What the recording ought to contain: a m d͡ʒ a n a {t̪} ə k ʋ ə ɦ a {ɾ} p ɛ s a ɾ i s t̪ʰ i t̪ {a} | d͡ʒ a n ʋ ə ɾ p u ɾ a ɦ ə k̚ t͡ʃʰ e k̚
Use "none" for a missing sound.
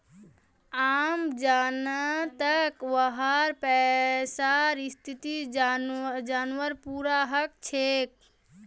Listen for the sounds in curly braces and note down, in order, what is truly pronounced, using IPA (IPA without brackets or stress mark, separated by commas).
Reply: t̪, ɾ, i